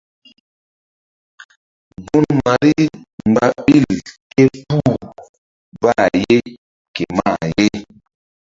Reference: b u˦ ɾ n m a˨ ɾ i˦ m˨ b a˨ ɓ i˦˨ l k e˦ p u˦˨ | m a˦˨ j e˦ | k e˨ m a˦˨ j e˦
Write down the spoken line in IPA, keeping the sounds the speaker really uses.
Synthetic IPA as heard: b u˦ n m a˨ ɾ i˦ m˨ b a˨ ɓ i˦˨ l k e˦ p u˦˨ | b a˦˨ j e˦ | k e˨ m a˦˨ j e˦